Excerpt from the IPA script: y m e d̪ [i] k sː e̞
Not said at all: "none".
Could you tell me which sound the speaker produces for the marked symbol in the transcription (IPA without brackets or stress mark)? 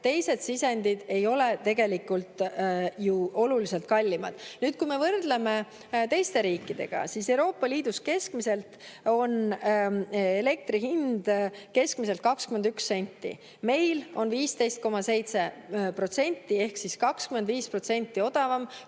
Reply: y